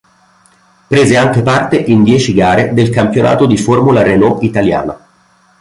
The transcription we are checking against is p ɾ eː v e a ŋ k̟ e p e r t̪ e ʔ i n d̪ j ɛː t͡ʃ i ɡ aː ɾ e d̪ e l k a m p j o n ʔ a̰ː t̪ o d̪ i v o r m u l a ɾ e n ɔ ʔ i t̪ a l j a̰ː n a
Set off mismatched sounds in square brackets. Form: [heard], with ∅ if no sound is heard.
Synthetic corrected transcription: p ɾ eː [z] e a ŋ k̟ e p [a] r t̪ e ʔ i n d̪ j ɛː t͡ʃ i ɡ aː ɾ e d̪ e l k a m p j o n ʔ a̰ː t̪ o d̪ i [f] o r m u l a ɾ e n ɔ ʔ i t̪ a l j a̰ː n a